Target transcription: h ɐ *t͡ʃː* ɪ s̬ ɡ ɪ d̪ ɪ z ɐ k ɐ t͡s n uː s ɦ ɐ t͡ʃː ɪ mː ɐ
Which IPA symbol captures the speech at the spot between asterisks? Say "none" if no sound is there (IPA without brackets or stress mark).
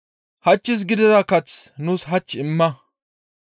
t͡ʃː